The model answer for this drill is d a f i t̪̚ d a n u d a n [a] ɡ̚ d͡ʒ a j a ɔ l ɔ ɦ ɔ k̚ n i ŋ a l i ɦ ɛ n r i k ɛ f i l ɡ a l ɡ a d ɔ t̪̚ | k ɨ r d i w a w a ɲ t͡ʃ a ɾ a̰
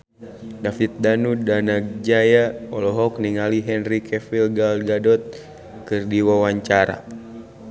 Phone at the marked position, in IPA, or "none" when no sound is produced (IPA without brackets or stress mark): a